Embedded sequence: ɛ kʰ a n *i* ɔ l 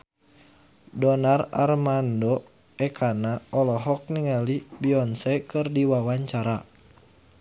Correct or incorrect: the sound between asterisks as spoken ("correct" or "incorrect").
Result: incorrect